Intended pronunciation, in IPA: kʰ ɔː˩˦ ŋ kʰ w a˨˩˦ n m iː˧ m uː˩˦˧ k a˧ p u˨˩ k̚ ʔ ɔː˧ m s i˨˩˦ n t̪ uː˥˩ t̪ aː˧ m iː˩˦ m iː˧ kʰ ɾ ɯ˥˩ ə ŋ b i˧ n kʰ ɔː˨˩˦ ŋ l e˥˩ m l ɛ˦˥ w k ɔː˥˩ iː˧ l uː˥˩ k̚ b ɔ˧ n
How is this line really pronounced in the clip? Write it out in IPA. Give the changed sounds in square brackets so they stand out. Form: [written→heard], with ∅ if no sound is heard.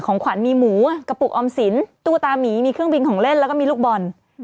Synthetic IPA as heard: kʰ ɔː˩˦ ŋ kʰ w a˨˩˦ n m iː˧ m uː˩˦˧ k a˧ p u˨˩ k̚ ʔ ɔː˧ m s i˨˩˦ n t̪ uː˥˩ t̪ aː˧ m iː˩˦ m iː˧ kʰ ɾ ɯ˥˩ ə ŋ b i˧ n kʰ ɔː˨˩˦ ŋ l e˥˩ [m→n] l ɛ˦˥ w k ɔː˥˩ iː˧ l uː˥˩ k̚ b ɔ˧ n